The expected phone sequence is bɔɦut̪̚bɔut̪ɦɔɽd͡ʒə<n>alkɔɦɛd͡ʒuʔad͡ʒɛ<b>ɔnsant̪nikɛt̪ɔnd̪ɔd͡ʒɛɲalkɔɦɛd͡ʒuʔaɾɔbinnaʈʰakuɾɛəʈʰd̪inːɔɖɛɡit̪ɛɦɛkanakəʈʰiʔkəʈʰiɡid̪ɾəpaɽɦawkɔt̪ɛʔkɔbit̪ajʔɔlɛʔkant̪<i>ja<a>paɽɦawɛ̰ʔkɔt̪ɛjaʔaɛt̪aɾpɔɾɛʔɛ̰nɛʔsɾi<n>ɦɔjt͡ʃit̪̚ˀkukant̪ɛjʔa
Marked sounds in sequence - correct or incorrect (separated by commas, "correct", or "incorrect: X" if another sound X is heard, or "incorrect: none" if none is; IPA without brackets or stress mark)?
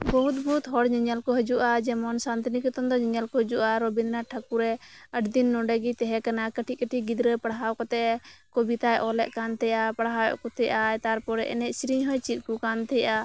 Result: incorrect: ɲ, incorrect: m, incorrect: ɛ, correct, incorrect: ɲ